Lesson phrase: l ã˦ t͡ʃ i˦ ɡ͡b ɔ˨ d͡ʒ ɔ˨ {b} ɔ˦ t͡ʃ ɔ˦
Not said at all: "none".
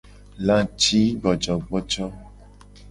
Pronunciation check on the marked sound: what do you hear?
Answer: ɡ͡b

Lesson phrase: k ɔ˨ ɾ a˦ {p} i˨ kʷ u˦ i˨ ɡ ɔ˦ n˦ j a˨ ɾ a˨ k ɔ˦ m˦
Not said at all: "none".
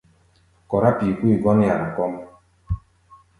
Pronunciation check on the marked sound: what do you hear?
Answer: p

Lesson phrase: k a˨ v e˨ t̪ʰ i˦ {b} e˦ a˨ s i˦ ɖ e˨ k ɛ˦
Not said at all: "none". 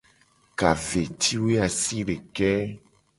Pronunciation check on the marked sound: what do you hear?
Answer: w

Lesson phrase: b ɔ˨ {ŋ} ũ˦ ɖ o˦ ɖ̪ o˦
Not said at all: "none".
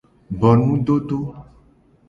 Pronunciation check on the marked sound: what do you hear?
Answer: n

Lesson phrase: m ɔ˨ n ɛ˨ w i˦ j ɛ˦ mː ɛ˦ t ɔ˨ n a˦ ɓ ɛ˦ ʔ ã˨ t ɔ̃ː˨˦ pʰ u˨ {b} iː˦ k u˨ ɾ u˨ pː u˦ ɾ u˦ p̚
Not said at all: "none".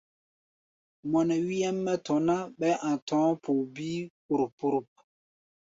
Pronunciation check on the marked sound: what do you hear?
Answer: b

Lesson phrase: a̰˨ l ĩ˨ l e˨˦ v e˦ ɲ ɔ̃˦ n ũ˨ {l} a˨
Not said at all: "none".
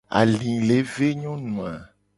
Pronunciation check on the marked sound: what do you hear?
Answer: none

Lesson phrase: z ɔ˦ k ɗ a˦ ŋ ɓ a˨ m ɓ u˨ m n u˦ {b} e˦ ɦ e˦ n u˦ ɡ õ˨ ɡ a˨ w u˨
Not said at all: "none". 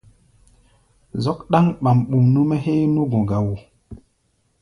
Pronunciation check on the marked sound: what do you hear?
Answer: m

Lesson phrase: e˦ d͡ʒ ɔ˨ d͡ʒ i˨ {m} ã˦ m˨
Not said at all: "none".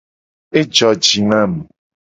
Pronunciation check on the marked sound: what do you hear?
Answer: n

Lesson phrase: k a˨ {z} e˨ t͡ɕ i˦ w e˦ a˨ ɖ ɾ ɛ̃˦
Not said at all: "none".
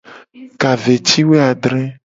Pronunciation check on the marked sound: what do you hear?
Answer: v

